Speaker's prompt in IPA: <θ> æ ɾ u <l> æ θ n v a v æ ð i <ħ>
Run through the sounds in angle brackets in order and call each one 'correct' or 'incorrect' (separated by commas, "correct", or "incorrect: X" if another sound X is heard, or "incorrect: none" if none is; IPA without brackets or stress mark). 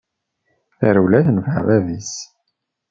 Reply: correct, correct, incorrect: s